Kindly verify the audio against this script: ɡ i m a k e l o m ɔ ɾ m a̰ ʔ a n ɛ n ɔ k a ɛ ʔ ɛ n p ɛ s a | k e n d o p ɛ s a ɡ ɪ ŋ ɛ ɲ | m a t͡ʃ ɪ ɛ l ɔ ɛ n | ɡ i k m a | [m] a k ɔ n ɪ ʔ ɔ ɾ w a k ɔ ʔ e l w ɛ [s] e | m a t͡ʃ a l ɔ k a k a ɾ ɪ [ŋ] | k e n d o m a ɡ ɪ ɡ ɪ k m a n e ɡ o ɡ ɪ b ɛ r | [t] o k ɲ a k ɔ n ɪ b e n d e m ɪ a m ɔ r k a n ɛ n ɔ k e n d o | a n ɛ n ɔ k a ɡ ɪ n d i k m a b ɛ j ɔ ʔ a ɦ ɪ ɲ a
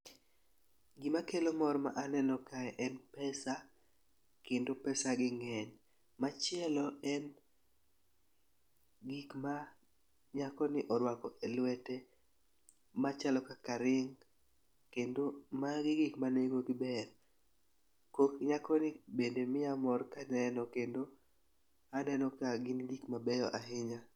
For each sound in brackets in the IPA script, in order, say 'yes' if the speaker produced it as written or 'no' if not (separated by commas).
no, no, yes, no